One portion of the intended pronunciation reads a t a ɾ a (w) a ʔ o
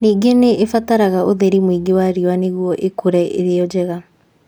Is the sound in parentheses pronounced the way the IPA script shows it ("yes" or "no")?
no